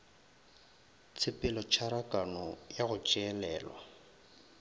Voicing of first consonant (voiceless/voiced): voiceless